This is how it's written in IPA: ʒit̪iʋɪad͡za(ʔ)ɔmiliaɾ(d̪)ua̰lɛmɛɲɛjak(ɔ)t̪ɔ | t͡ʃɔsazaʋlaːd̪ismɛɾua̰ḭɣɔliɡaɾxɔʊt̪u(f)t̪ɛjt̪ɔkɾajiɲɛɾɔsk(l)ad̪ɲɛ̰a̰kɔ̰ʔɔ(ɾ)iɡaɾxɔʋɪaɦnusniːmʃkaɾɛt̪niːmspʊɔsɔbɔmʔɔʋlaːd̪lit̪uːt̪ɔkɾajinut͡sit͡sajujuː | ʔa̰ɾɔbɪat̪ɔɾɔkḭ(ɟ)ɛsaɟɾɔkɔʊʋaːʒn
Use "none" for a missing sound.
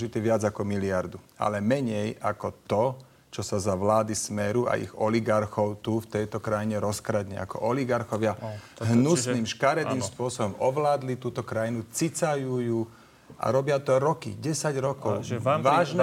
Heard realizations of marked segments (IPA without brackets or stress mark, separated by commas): k, d̪, ɔ, f, ɾ, l, ɟ